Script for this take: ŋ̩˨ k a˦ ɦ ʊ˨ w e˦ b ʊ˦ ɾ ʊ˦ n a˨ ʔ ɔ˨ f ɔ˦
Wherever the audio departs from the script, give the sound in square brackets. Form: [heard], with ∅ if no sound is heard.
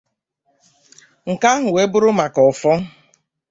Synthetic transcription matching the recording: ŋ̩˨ k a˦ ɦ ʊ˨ w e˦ b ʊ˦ ɾ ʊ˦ [m] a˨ [k] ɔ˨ f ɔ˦